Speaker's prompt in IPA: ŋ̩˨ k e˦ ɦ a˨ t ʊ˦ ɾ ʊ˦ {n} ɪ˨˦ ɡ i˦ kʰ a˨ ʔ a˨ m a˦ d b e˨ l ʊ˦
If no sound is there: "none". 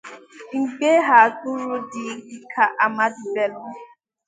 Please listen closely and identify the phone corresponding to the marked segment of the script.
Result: d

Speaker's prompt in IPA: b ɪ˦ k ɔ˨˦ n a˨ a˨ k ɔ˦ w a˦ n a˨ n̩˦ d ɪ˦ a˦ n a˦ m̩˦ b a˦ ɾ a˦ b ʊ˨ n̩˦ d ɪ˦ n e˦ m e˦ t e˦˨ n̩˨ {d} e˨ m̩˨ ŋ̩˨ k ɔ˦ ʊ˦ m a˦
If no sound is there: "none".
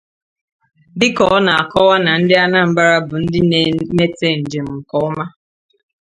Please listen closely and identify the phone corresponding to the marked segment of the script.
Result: d͡ʒ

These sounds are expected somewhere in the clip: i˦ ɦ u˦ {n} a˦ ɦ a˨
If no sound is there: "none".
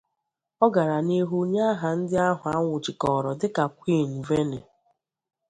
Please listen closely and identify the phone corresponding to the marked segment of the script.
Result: ɲ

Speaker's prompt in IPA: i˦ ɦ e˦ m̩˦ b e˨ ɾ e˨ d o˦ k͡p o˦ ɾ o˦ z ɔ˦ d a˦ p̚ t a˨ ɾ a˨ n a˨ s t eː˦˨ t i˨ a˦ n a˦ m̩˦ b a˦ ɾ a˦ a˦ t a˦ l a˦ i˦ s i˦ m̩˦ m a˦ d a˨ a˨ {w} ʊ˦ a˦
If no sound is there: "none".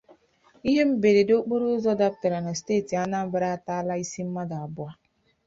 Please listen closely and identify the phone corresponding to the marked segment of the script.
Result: b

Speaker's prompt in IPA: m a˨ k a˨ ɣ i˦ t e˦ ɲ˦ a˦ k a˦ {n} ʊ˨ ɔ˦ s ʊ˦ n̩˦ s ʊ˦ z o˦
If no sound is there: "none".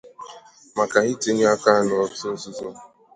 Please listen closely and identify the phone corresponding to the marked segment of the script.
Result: n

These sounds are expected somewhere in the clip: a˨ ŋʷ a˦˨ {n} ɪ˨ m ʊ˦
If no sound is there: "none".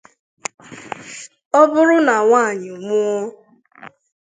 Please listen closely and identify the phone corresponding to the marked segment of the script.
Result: ɲ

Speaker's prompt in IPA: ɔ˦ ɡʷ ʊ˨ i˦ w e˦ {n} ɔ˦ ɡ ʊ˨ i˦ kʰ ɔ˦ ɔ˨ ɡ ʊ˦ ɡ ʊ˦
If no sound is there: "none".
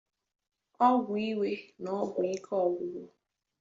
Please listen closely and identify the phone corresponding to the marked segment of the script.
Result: n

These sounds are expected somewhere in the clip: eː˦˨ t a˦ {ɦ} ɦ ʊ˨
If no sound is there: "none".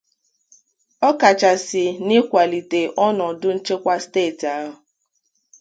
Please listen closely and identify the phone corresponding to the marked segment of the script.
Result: ɦ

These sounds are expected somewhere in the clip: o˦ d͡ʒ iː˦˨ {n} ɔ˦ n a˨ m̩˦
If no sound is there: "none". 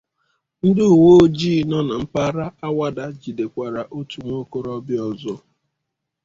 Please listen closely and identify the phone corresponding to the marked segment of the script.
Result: n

